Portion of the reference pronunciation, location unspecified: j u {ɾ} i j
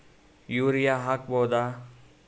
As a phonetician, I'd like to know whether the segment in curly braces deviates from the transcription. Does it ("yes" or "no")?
no